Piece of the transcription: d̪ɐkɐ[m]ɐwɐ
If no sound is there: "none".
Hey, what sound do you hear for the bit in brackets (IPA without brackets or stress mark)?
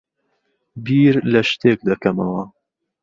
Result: m